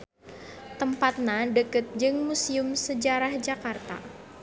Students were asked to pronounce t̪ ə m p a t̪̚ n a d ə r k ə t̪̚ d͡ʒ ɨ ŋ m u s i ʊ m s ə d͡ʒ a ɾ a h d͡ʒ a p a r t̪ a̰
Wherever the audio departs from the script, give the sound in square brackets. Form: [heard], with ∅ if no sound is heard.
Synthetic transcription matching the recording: t̪ ə m p a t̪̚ n a d ə [∅] k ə t̪̚ d͡ʒ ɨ ŋ m u s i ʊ m s ə d͡ʒ a ɾ a h d͡ʒ a [k] a r t̪ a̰

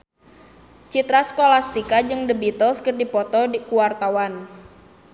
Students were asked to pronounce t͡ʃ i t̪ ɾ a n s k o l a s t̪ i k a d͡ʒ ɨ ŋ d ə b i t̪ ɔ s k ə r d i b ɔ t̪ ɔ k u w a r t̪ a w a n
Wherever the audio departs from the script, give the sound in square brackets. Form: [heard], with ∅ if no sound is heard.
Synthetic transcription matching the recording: t͡ʃ i t̪ ɾ a [∅] s k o l a s t̪ i k a d͡ʒ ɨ ŋ d ə b i t̪ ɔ s k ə r d i [p] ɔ t̪ ɔ k u w a r t̪ a w a n

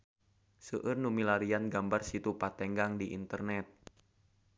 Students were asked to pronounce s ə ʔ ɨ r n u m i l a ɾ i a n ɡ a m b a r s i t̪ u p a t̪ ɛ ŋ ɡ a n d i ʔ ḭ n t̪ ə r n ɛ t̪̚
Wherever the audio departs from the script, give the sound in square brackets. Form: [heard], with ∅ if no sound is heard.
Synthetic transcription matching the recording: s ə ʔ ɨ r n u m i l a ɾ i a n ɡ a m b a r s i t̪ u p a t̪ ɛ ŋ ɡ a [ŋ] d i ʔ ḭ n t̪ ə r n ɛ t̪̚

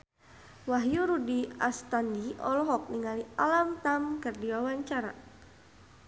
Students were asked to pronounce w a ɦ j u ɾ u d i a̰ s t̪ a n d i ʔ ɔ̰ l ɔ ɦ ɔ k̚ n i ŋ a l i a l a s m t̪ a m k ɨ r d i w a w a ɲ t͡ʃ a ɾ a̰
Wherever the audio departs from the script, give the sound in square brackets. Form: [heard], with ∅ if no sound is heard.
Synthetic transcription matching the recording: w a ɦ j u ɾ u d i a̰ s t̪ a n d i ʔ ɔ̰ l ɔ ɦ ɔ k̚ n i ŋ a l i a l a [∅] m t̪ a m k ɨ r d i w a w a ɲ t͡ʃ a ɾ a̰

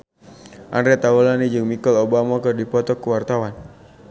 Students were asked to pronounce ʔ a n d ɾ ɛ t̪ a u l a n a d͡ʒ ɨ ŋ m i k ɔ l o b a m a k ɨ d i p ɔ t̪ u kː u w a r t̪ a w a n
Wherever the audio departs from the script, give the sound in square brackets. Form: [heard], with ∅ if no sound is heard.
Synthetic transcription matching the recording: ʔ a n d ɾ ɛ t̪ a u l a n [i] d͡ʒ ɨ ŋ m i k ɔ l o b a m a k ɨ d i p ɔ t̪ [ɔ] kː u w a r t̪ a w a n

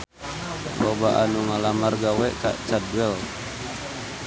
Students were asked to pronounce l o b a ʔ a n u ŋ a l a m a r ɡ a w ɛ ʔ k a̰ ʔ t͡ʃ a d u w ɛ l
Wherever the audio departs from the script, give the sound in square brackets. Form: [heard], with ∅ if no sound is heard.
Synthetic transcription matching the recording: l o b a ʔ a n u ŋ a l a m a r ɡ a w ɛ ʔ k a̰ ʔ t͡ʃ a d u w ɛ l

